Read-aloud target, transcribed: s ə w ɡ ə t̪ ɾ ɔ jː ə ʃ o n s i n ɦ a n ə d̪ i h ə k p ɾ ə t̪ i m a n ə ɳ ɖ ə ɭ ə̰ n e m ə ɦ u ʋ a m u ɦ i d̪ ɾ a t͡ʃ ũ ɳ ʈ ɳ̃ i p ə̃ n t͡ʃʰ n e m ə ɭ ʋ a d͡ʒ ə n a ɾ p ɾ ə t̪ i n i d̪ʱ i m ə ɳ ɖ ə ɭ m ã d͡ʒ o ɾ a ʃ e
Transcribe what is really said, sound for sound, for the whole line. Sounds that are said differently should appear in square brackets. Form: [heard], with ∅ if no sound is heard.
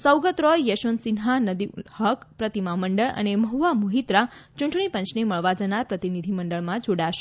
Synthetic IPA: s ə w ɡ ə t̪ ɾ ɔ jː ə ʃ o n s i n ɦ a n ə d̪ i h ə k p ɾ ə t̪ i m a [m] ə ɳ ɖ ə ɭ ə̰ n e m ə ɦ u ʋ a m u ɦ i [t̪] ɾ a t͡ʃ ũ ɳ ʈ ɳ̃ i p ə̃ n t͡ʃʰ n e m ə ɭ ʋ a d͡ʒ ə n a ɾ p ɾ ə t̪ i n i d̪ʱ i m ə ɳ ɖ ə ɭ m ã d͡ʒ o [ɽ] a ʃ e